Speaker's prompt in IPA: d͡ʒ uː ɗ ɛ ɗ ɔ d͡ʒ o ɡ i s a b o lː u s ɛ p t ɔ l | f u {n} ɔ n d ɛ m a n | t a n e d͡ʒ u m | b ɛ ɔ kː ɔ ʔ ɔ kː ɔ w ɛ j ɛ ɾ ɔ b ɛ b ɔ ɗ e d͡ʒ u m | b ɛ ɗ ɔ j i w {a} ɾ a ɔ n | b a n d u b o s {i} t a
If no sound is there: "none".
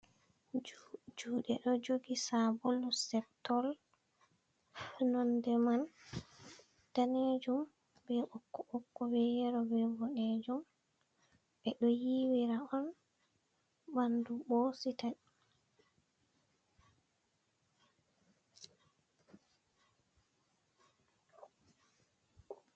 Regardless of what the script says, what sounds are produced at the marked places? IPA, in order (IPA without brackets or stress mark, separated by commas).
n, i, i